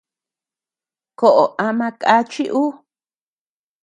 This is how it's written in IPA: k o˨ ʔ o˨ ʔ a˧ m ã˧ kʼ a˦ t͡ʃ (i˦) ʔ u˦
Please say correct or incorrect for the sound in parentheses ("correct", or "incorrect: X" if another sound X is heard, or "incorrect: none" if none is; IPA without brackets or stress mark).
correct